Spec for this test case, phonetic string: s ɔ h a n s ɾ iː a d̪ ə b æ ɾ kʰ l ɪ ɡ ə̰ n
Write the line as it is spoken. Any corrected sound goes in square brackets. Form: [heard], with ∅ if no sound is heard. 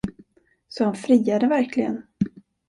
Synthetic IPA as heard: s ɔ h a n [f] ɾ iː a d̪ ə [v] æ ɾ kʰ l ɪ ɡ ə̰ n